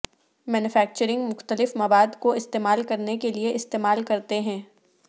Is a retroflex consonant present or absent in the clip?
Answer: absent